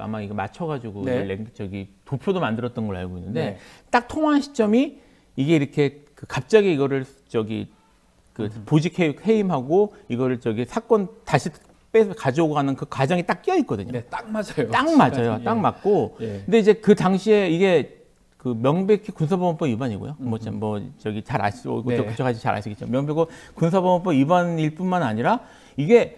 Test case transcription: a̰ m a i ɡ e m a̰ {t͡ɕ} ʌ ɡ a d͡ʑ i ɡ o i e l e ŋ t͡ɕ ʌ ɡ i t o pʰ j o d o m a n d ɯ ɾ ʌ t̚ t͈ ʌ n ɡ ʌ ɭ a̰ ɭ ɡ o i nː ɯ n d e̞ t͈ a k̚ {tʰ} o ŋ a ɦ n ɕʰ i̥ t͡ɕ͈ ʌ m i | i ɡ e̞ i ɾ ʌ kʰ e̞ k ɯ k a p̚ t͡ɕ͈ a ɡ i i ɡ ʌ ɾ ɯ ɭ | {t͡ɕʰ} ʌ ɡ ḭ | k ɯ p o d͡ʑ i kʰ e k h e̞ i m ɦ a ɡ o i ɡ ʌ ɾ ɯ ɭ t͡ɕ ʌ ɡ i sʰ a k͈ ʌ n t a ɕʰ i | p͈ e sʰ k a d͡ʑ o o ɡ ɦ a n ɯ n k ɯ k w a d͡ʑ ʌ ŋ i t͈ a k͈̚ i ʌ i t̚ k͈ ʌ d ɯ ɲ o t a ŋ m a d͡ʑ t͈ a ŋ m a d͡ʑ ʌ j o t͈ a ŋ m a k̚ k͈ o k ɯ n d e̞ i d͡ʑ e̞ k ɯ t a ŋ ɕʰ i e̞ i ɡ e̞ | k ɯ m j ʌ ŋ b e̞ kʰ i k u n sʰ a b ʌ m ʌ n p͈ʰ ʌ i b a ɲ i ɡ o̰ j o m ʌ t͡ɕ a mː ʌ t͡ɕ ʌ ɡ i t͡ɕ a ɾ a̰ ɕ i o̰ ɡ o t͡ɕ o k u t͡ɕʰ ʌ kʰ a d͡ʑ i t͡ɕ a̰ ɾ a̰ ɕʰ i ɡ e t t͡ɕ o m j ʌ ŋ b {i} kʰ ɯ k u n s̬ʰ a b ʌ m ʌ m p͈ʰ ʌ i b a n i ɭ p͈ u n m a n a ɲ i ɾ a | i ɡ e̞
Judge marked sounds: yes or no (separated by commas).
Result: no, yes, no, no